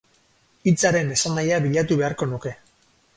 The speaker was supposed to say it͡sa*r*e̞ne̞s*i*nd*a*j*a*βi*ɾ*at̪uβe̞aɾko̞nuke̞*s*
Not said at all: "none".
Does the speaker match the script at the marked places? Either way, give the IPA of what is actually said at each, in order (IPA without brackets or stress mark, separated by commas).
ɾ, a, a, a, ʎ, none